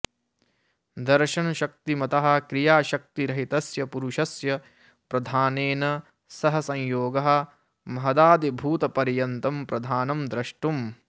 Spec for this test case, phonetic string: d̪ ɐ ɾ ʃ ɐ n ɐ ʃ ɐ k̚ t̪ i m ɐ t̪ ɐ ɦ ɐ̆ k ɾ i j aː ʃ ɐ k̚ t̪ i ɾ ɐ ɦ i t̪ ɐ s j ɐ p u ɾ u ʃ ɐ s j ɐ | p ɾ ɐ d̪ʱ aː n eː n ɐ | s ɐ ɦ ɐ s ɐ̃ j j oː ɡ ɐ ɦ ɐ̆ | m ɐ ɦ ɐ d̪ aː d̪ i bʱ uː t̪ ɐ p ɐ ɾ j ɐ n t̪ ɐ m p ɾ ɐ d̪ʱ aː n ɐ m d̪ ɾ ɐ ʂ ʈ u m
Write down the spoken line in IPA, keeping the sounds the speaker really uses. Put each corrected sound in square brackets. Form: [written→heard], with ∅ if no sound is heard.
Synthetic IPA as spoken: d̪ ɐ ɾ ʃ ɐ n ɐ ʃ ɐ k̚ t̪ i m ɐ t̪ ɐ ɦ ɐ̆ k ɾ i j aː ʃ ɐ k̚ t̪ i ɾ ɐ ɦ i t̪ ɐ s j ɐ p u ɾ u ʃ ɐ s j ɐ | p ɾ ɐ d̪ʱ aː n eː n ɐ | s ɐ ɦ ɐ s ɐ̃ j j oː ɡ ɐ ɦ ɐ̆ | m ɐ ɦ ɐ d̪ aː d̪ i bʱ uː t̪ ɐ p ɐ ɾ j ɐ n t̪ ɐ m p ɾ ɐ d̪ʱ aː n ɐ m d̪ ɾ ɐ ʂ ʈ u m